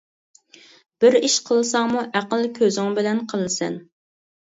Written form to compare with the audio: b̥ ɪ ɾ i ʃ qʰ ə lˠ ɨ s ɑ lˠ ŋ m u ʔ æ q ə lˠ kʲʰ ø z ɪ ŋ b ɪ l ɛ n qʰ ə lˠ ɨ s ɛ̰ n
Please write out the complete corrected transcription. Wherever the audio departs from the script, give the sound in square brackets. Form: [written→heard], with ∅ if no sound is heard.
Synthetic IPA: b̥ ɪ ɾ i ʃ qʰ ə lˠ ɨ s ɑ [lˠ→∅] ŋ m u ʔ æ q ə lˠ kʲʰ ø z ɪ ŋ b ɪ l ɛ n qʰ ə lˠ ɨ s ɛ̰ n